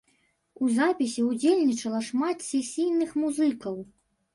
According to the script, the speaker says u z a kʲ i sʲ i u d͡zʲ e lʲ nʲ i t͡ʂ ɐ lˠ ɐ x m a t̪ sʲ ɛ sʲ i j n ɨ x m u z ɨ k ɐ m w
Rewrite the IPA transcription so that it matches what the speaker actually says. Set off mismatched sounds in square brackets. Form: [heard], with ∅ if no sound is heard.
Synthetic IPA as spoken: u z a [pʲ] i sʲ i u d͡zʲ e lʲ nʲ i t͡ʂ ɐ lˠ ɐ [ʂ] m a t̪ sʲ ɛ sʲ i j n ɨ x m u z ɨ k ɐ [∅] w